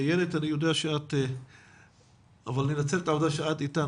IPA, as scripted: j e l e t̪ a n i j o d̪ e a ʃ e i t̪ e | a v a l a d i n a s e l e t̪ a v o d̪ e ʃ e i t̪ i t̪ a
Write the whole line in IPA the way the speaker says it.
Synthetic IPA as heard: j e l e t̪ a n i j o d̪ e a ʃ e a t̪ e | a v a l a n i n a t͡s e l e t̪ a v o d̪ a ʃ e a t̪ i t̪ a